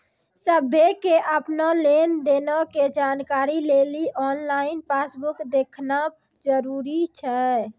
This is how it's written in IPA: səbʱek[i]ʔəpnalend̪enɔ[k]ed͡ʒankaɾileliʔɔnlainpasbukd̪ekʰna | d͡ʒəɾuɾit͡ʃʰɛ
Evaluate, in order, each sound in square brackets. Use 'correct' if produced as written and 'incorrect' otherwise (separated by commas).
incorrect, correct